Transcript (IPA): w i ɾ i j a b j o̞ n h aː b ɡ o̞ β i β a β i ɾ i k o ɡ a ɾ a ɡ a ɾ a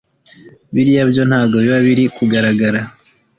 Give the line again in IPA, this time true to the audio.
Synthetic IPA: β i ɾ i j a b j o̞ n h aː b ɡ o̞ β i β a β i ɾ i k u ɡ a ɾ a ɡ a ɾ a